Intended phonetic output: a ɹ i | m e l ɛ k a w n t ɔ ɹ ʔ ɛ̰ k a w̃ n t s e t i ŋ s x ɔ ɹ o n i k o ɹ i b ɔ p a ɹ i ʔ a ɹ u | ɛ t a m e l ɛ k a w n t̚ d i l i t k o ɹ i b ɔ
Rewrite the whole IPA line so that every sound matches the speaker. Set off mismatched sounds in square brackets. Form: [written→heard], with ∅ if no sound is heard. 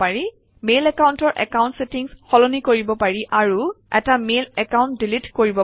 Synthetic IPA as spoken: a ɹ i | m e l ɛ k a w n t ɔ ɹ ʔ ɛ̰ k a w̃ n t s e t i ŋ s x ɔ [ɹ→l] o n i k o ɹ i b ɔ p a ɹ i ʔ a ɹ u | ɛ t a m e l ɛ k a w n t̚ d i l i t k o ɹ i b ɔ